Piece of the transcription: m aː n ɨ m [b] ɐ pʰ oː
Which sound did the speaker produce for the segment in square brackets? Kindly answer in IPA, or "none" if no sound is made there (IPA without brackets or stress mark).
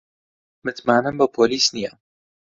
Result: b